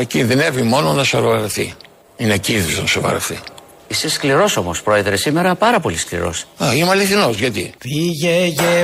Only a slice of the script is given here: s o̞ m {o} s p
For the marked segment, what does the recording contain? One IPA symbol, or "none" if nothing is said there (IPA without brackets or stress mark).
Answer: o